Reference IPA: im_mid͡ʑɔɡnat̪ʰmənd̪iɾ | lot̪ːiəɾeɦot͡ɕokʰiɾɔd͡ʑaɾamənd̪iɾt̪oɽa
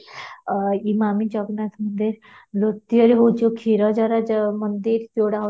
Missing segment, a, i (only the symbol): a